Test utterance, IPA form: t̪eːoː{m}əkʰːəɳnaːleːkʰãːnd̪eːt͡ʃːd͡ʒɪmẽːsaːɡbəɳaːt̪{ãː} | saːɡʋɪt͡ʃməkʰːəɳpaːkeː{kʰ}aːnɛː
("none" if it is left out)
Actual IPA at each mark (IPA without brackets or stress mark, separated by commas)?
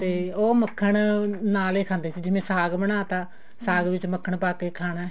m, aː, kʰ